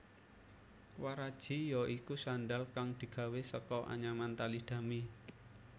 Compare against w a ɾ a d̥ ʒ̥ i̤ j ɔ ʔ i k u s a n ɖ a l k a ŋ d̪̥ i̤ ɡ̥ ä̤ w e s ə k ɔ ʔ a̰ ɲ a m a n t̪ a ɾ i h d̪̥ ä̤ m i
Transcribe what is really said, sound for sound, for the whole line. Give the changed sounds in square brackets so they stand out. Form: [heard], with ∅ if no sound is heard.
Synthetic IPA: w a ɾ a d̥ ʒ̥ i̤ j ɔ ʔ i k u s a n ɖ a l k a ŋ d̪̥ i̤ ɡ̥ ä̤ w e s ə k ɔ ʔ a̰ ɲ a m a n t̪ a [l] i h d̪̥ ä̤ m i

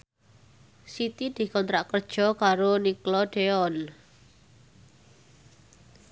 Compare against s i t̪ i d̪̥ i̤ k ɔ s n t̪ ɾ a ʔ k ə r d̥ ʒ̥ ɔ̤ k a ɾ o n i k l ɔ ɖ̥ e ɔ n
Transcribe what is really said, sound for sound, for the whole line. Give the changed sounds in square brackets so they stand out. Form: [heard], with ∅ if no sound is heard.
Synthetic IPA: s i t̪ i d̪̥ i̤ k ɔ [∅] n t̪ ɾ a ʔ k ə r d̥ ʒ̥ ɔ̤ k a ɾ o n i k l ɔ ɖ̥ e ɔ n

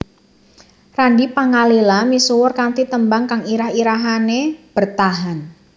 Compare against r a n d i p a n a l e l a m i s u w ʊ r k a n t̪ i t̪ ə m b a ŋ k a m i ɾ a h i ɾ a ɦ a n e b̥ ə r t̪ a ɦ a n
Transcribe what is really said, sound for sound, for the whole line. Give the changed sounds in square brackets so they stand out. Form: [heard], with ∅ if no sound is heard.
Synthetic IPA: r a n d i p a [ŋ] a l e l a m i s u w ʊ r k a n t̪ i t̪ ə m b a ŋ k a [ŋ] i ɾ a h i ɾ a ɦ a n e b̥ ə r t̪ a ɦ a n

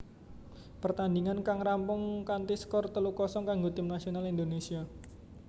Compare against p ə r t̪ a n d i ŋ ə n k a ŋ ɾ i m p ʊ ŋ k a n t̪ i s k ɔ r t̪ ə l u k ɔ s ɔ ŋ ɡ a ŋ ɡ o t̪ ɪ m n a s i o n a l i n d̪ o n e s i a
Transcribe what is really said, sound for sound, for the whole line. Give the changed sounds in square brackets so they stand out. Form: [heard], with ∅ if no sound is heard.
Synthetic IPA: p ə r t̪ a n d i ŋ [a] n k a ŋ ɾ [a] m p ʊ ŋ k a n t̪ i s k ɔ r t̪ ə l u k ɔ s ɔ ŋ [k] a ŋ ɡ o t̪ ɪ m n a s i o n a l i n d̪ o n e s i a

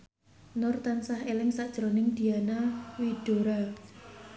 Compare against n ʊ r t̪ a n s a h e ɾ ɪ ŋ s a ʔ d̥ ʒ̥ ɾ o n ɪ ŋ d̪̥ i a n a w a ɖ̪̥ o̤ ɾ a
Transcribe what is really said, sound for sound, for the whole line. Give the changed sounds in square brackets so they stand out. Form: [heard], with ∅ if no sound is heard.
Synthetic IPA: n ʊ r t̪ a n s a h e [l] ɪ ŋ s a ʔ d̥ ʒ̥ ɾ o n ɪ ŋ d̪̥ i a n a w [i] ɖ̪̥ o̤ ɾ a

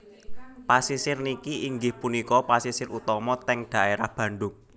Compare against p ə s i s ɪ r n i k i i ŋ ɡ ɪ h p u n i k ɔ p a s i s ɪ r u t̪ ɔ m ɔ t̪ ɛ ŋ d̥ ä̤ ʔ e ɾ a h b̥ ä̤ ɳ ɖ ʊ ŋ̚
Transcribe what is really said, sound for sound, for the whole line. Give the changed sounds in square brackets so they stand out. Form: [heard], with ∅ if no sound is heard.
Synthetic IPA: p [a] s i s ɪ r n i k i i ŋ ɡ ɪ h p u n i k ɔ p a s i s ɪ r u t̪ ɔ m ɔ t̪ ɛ ŋ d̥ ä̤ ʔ e ɾ a h b̥ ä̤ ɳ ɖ ʊ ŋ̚

